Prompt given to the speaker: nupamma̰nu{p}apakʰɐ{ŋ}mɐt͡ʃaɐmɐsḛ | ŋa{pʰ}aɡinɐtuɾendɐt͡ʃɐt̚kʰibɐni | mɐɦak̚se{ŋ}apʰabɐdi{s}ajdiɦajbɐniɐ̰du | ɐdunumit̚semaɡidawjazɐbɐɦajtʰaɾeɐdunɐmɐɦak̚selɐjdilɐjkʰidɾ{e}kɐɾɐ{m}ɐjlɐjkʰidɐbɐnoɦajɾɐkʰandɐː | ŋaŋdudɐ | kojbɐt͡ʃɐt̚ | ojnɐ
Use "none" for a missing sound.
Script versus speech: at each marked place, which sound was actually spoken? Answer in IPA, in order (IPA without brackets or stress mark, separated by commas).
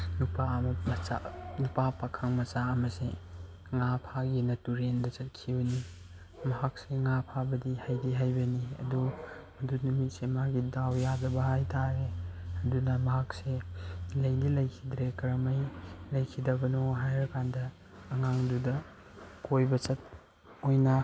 p, ŋ, pʰ, ŋ, h, e, m